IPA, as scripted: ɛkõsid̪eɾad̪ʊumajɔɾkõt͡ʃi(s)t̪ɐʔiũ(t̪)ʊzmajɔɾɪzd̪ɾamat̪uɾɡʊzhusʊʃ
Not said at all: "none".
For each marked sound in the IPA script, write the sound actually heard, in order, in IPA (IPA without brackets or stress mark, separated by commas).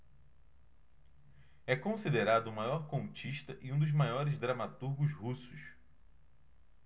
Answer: ʃ, d̪